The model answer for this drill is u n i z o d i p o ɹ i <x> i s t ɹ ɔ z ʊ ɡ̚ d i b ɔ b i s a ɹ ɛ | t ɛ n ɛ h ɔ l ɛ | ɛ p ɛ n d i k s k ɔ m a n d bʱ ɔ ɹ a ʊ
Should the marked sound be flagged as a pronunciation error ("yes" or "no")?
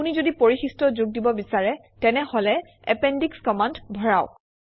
no